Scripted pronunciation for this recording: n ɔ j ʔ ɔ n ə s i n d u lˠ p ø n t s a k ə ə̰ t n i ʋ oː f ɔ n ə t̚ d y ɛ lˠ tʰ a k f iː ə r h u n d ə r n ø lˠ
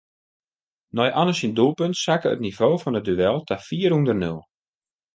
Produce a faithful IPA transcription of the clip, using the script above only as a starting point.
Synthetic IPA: n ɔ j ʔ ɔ n ə s i n d u lˠ p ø n t s a k ə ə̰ t n i v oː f ɔ n ə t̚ d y ɛ lˠ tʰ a f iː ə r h u n d ə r n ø lˠ